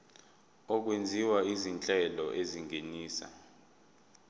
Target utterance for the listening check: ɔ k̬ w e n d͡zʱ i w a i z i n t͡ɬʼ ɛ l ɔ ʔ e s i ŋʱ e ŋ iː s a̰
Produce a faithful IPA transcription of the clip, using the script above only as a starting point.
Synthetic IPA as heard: ɔ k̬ w e n d͡zʱ i w a i z i n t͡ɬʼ ɛ l ɔ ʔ e z i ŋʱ e n iː s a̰